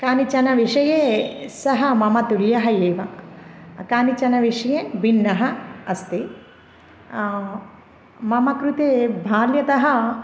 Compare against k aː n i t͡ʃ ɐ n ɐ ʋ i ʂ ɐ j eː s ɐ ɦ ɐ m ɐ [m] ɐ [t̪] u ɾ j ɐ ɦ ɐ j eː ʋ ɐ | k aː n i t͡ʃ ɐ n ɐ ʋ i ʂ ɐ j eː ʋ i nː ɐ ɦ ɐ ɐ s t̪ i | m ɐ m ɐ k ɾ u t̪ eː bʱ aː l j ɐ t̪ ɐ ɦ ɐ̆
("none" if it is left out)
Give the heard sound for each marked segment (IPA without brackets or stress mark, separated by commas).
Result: m, t̪